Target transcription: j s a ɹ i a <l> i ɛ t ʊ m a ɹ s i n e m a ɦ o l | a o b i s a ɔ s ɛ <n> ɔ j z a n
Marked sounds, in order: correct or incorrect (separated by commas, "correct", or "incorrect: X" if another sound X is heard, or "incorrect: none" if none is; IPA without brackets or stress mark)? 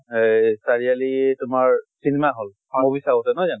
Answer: correct, correct